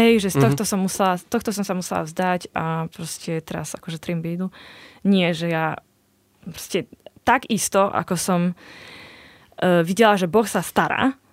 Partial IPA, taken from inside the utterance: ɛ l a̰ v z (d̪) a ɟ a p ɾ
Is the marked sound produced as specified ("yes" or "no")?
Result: yes